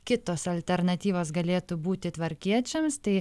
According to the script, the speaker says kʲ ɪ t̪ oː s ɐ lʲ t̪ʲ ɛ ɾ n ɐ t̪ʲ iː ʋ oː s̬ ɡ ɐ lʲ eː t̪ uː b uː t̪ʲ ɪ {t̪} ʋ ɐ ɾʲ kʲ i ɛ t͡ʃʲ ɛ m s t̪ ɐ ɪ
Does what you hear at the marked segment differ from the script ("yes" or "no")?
no